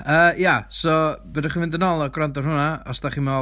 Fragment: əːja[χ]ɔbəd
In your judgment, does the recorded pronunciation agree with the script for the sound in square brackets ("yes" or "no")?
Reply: no